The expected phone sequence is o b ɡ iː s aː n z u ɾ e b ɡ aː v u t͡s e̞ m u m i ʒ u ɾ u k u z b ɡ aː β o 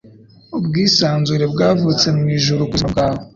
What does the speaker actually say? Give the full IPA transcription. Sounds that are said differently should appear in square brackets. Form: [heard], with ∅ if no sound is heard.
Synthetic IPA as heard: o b ɡ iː s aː n z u ɾ e b ɡ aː v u t͡s e̞ m u m i ʒ u ɾ u k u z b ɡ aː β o